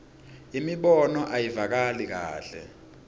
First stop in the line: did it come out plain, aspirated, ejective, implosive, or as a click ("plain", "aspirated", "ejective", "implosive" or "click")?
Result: implosive